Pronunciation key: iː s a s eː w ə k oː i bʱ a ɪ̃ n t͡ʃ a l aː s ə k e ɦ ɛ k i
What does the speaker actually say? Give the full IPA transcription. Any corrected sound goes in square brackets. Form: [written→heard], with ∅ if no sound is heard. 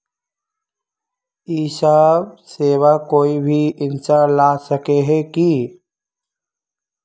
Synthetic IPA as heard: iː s a s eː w [ə→a] k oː i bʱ [a→i] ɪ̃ n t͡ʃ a l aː s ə k e ɦ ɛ k i